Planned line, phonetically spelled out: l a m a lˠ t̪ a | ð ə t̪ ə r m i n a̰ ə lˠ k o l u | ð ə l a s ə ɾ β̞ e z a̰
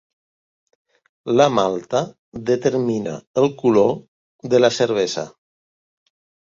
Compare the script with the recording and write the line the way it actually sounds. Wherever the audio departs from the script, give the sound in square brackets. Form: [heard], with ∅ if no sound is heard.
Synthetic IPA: l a m a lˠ t̪ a | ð ə t̪ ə [ɾ] m i n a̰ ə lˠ k [u] l [o] | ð ə l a s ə ɾ β̞ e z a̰